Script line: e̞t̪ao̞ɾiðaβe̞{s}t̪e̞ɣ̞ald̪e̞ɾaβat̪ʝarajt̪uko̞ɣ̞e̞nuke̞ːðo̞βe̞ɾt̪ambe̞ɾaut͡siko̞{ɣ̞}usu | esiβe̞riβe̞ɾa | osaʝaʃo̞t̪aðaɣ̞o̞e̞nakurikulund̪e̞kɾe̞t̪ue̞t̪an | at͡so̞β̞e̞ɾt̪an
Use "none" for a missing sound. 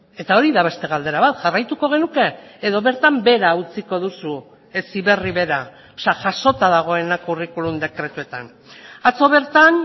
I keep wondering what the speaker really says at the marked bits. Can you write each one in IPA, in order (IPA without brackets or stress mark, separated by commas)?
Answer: s, ð̞